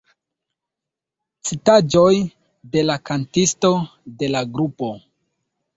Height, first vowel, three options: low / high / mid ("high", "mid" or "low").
high